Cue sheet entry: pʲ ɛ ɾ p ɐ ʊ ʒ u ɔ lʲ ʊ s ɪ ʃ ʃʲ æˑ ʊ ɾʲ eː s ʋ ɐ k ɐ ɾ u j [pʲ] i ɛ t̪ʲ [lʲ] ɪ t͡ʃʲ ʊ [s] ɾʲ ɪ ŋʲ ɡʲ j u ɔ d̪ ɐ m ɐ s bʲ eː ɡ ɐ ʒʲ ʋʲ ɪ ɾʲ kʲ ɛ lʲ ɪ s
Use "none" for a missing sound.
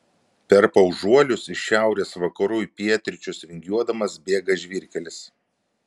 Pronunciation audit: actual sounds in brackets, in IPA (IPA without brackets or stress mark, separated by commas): pʲ, ɾʲ, s